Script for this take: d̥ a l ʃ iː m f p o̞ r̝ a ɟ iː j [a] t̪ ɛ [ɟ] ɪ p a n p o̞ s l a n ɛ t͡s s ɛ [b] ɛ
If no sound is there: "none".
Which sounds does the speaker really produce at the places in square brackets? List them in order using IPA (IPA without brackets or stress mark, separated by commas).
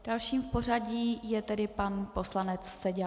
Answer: ɛ, d, ɟ